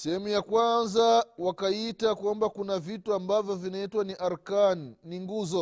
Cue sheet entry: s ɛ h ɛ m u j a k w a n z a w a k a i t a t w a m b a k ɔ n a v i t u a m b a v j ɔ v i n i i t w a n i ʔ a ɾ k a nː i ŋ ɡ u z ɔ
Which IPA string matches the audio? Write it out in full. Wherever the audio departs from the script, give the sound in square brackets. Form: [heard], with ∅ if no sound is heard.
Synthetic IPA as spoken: s ɛ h ɛ m u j a k w a n z a w a k a i t a [k] w a m b a k [u] n a v i t u a m b a v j ɔ v i n [a] i t w a n i ʔ a ɾ k a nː i ŋ ɡ u z ɔ